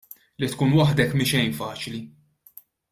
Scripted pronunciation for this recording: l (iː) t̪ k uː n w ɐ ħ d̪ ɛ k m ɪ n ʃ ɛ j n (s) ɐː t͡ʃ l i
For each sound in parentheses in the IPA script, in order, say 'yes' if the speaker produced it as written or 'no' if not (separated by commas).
no, no